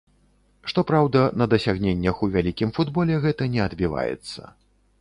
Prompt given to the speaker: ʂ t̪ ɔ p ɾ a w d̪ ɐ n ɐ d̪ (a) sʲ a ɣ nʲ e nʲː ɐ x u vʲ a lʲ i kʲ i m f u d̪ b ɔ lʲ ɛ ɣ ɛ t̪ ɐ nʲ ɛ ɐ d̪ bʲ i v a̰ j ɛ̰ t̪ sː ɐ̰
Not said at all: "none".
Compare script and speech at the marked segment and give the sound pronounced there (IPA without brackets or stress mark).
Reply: ɐ